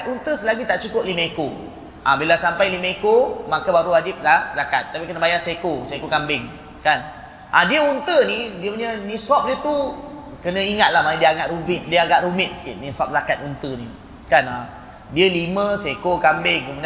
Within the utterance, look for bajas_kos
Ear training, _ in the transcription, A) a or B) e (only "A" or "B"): B